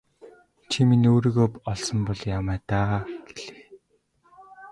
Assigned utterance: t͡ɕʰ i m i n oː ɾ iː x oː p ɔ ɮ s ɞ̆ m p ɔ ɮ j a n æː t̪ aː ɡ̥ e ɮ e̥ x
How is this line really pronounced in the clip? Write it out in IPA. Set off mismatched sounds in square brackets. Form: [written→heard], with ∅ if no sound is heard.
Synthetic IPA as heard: t͡ɕʰ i m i n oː ɾ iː [x→ɣ] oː p ɔ ɮ s ɞ̆ m p ɔ ɮ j a [n→m] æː t̪ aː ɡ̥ e ɮ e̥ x